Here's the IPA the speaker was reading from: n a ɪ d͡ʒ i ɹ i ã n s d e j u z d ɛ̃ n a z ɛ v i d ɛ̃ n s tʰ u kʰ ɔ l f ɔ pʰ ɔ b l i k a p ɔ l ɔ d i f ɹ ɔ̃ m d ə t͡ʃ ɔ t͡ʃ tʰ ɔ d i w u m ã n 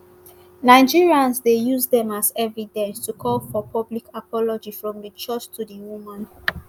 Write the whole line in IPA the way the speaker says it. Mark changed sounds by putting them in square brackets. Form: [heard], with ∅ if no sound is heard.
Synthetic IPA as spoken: n a ɪ d͡ʒ i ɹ i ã n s d e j u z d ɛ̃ [m] a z ɛ v i d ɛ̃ n s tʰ u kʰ ɔ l f ɔ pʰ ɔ b l i k a p ɔ l ɔ [d͡ʒ] i f ɹ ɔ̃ m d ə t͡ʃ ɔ t͡ʃ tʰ [u] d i w u m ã n